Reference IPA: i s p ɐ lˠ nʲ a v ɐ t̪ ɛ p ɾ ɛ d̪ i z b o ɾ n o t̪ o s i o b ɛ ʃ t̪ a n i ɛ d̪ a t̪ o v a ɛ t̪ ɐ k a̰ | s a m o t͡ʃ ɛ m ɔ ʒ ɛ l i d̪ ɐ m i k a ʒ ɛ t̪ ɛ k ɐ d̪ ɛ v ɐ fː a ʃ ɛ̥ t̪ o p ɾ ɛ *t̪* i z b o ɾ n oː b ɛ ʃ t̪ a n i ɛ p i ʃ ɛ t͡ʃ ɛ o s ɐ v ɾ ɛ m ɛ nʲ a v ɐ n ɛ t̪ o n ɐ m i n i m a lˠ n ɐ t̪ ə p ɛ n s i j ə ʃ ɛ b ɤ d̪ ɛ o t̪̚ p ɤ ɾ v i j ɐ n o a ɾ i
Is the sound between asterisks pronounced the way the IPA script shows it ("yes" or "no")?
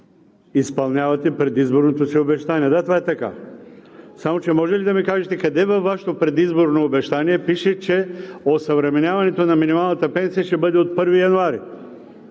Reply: no